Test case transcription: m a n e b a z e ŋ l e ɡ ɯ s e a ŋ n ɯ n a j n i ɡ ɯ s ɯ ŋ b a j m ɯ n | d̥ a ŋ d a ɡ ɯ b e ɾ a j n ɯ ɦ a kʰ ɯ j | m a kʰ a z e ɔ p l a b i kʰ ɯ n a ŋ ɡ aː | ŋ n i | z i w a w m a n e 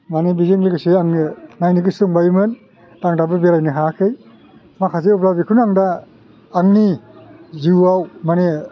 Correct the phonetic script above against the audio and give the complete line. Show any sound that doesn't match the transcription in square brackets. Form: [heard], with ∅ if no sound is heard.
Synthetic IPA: m a n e b [i] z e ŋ l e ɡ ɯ s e a ŋ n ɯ n a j n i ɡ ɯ s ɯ ŋ b a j m ɯ n | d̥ a ŋ d a [b] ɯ b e ɾ a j n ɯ ɦ a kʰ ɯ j | m a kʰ a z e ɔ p l a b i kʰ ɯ n a ŋ [d] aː | ŋ n i | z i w a w m a n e